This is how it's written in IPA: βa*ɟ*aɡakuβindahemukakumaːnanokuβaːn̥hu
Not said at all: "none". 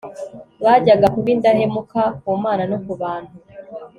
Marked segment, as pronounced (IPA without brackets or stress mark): ɟ